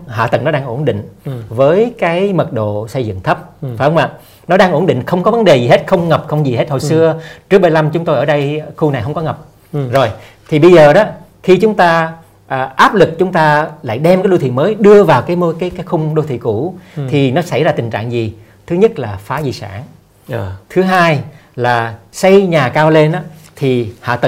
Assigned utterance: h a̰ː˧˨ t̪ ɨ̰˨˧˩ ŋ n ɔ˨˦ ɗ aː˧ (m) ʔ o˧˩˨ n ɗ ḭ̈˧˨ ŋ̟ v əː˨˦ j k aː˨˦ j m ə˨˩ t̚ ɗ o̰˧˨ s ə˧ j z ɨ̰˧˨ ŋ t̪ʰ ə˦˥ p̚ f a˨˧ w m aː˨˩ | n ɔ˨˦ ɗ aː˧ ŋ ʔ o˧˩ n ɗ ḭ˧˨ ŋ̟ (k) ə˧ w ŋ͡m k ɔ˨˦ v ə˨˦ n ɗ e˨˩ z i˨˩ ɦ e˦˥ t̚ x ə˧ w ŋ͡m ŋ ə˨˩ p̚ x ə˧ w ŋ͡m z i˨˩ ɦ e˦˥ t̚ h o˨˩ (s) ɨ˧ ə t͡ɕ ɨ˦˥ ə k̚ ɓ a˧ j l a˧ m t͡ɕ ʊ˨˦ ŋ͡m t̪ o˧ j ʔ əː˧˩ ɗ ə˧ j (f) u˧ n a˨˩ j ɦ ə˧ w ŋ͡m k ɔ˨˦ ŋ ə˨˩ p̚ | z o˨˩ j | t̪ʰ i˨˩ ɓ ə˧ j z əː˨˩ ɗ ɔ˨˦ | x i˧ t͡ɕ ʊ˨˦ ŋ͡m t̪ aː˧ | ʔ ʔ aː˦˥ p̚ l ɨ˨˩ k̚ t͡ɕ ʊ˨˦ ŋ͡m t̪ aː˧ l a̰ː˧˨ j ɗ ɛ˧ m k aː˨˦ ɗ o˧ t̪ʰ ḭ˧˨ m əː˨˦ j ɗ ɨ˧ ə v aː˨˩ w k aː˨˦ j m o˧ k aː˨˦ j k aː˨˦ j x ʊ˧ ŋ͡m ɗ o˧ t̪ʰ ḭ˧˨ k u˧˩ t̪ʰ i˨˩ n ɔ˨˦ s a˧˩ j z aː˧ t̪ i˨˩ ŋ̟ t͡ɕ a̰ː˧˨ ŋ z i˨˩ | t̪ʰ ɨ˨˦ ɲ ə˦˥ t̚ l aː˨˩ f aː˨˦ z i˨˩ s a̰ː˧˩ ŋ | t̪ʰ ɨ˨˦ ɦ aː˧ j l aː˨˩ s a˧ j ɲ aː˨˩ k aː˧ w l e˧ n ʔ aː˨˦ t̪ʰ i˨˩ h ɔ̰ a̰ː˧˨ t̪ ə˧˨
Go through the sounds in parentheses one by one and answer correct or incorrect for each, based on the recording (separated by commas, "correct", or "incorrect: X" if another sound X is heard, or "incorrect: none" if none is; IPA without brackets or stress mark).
incorrect: ŋ, incorrect: x, correct, incorrect: x